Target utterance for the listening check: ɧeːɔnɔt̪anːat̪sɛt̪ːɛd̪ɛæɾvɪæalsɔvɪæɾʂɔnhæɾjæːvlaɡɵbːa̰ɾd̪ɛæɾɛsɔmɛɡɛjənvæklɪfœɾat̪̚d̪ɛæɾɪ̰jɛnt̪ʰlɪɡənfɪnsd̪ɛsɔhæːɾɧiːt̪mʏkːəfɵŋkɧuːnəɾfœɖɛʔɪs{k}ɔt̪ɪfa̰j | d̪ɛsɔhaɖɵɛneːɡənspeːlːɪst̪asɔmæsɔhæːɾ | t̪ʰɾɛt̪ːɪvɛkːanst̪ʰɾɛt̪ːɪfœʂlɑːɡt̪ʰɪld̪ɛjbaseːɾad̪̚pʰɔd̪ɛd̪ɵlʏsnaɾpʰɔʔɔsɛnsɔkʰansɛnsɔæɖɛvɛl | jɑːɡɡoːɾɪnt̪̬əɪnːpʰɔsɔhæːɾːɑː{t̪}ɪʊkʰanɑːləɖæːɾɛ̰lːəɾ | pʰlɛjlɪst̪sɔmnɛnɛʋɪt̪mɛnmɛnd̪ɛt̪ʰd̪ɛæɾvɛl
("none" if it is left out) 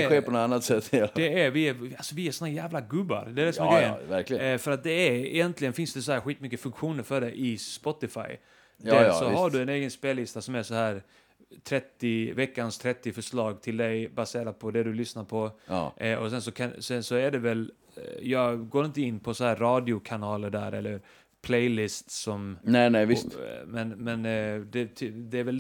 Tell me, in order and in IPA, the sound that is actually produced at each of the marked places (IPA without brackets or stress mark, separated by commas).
p, d̪